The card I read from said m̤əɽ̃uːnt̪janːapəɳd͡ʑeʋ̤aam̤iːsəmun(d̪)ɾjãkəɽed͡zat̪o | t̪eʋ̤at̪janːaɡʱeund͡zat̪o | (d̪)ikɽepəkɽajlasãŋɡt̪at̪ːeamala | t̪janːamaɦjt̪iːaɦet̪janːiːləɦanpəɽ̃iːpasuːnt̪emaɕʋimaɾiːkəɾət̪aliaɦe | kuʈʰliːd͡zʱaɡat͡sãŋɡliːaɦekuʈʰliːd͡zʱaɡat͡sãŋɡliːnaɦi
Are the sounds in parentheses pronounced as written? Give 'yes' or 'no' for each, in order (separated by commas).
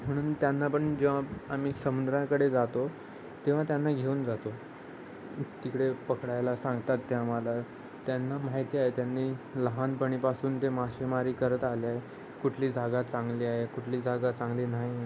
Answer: yes, no